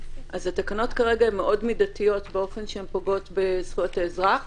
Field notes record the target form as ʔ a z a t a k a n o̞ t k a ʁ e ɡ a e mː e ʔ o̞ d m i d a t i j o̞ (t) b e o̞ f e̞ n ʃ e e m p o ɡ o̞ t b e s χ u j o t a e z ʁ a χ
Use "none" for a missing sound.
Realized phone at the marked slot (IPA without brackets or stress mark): t